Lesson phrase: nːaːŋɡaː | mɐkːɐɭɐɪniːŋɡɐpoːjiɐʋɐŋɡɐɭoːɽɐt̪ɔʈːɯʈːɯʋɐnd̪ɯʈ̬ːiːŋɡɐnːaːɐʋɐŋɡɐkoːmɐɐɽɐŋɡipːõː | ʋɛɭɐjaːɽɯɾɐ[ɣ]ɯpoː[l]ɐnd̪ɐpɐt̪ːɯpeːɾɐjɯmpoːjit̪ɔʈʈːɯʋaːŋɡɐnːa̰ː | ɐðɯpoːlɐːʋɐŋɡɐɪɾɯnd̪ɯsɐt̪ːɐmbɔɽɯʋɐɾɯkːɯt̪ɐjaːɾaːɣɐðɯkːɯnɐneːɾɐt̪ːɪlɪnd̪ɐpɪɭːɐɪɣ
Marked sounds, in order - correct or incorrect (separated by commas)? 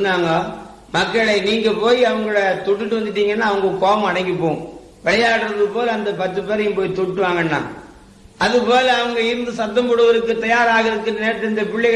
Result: incorrect, correct